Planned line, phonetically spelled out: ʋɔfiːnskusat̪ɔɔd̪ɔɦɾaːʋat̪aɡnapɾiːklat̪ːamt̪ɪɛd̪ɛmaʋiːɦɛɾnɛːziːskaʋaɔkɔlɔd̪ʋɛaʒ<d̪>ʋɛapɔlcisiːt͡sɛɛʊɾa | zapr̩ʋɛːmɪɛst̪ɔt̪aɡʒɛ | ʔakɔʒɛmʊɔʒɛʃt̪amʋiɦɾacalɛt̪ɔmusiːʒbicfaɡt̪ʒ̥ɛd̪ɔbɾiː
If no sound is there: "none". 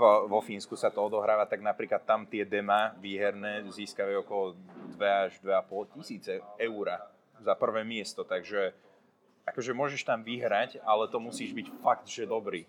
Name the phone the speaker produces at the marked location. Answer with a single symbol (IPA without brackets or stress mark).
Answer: d̪